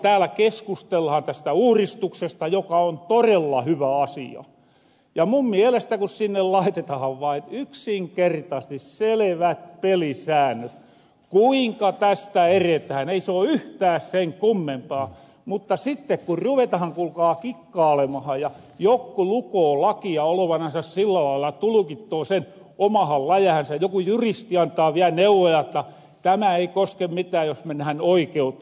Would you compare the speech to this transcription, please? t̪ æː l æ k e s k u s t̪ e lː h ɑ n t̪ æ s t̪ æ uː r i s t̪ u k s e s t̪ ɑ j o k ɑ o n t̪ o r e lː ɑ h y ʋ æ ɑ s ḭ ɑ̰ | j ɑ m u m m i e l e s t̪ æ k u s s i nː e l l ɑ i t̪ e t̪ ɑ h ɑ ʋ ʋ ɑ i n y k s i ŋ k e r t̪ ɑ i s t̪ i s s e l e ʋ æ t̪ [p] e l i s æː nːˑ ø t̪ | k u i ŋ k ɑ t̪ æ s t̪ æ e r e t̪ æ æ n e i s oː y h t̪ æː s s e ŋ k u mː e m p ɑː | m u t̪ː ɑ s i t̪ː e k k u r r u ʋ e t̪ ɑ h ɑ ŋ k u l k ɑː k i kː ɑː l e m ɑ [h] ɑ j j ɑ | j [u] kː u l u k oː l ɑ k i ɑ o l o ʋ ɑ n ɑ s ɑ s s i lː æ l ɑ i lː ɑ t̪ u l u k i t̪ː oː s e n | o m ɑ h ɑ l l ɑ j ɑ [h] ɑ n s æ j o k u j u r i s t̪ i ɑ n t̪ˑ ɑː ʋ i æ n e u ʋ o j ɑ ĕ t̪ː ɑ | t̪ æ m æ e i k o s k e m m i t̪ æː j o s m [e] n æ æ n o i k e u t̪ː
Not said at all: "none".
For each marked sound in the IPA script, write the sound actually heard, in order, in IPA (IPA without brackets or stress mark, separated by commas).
p, h, o, h, e